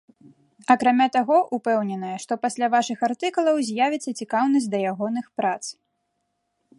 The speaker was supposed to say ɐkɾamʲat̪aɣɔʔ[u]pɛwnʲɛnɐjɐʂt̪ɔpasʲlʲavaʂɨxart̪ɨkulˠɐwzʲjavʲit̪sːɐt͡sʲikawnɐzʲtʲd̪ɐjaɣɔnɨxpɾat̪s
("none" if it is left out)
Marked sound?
u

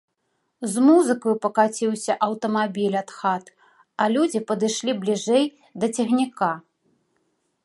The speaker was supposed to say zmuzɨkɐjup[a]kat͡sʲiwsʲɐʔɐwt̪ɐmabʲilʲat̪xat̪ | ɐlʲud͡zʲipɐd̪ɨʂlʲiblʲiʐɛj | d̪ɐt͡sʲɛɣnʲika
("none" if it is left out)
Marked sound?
ɐ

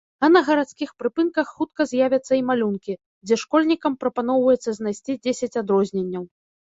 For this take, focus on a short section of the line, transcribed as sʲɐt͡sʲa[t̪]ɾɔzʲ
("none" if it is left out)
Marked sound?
d̪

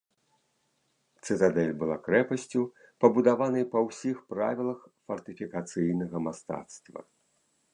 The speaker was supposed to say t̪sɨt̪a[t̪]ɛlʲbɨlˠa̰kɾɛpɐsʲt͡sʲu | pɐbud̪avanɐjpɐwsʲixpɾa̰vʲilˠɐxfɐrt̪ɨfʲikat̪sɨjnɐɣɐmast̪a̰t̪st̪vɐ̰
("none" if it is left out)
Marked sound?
d̪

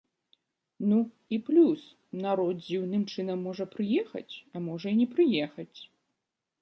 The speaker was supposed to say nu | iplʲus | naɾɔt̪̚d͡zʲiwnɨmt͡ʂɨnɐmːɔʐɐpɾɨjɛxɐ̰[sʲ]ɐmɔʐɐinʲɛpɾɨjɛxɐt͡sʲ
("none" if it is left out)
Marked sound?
t͡sʲ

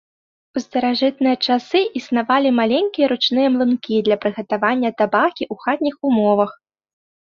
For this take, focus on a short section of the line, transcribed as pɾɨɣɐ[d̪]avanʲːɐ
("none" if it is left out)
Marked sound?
t̪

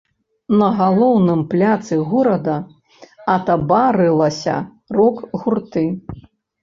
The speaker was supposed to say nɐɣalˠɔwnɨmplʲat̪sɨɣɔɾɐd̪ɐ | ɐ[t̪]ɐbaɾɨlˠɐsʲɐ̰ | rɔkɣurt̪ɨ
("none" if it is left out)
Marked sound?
t̪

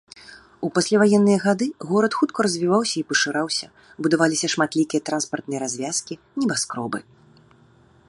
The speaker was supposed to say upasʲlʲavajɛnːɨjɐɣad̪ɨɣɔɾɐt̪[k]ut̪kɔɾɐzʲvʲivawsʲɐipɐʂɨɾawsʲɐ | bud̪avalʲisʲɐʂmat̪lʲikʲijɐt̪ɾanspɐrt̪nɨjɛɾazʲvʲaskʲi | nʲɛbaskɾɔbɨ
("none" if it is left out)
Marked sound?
x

